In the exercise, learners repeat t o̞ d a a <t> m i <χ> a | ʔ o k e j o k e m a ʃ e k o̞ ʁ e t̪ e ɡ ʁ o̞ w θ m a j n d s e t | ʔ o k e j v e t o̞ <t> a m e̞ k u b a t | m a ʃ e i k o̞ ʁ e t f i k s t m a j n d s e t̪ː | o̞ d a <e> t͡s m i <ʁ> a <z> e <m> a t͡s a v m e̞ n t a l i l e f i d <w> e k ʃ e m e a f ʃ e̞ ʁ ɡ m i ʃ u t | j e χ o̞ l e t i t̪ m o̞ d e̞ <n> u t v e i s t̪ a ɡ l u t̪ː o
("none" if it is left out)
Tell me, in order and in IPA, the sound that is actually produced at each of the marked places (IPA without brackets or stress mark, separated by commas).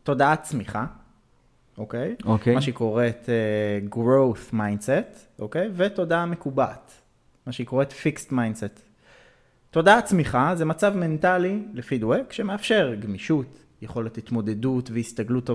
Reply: t͡s, χ, d, a, χ, z, m, w, d